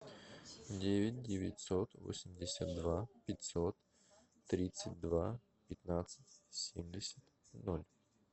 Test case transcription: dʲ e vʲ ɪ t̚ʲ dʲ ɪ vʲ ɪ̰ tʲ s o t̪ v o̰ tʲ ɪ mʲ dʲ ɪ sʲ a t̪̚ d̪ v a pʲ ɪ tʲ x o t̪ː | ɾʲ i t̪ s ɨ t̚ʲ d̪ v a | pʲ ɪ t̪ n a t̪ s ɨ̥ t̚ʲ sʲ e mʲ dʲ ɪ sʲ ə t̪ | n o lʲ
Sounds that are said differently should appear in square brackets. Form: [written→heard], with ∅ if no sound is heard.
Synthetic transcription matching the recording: dʲ e vʲ ɪ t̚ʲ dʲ ɪ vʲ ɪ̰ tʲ s o t̪ v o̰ [tʲ→sʲ] ɪ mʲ dʲ ɪ sʲ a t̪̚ d̪ v a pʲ ɪ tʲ [x→s] o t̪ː | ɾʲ i t̪ s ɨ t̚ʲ d̪ v a | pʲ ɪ t̪ n a t̪ s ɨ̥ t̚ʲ sʲ e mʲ dʲ ɪ sʲ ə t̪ | n o lʲ